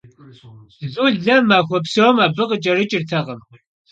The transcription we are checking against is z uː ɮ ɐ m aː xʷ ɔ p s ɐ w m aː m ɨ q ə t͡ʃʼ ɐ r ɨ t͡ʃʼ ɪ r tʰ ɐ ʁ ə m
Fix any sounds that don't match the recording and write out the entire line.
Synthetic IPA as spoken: z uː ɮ ɐ m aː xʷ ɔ p s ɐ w m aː b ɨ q ə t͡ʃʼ ɐ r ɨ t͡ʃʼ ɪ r tʰ ɐ ʁ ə m